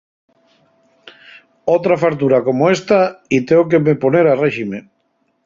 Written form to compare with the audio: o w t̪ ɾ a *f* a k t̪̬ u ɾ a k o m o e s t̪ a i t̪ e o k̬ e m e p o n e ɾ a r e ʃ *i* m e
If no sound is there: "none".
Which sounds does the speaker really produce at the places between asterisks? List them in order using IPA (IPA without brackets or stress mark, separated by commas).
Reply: f, i